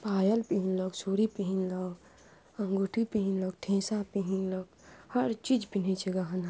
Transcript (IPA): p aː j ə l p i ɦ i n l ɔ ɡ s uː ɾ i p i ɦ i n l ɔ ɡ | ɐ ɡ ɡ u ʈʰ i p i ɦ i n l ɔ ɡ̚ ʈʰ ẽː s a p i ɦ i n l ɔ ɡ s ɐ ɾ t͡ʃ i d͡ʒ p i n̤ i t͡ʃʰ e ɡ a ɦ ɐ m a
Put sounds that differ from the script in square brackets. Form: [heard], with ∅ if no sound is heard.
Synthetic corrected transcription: p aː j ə l p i ɦ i n l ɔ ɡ s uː ɾ i p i ɦ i n l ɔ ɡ | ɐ [ŋ] ɡ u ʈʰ i p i ɦ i n l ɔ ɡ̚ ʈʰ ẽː s a p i ɦ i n l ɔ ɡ [h] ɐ ɾ t͡ʃ i d͡ʒ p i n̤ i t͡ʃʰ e ɡ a ɦ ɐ [n] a